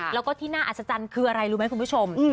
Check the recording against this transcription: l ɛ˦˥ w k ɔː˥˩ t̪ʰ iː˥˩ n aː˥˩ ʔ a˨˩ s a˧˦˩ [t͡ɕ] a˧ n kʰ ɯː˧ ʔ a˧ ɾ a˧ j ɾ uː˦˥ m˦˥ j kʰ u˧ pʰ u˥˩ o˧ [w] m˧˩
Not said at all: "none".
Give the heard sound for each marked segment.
t͡ɕ, none

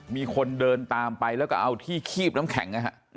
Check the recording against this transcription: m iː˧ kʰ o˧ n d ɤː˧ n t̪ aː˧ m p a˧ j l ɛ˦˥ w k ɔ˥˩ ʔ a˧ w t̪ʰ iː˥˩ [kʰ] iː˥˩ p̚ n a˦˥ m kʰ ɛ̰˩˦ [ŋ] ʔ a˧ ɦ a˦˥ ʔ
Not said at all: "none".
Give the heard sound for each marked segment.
kʰ, ŋ

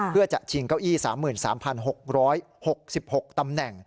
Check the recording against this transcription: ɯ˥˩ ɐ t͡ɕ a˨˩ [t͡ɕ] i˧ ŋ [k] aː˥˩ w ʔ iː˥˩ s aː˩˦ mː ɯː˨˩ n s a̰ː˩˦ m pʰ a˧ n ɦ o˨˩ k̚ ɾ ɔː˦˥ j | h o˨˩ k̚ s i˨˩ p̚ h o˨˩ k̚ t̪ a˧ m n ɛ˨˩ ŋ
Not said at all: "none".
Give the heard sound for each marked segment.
t͡ɕʰ, k

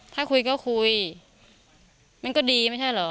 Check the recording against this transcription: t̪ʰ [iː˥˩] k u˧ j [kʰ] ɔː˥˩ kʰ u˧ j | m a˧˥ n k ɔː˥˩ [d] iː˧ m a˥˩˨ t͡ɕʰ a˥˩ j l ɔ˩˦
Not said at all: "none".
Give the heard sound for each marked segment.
aː˥˩, k, d

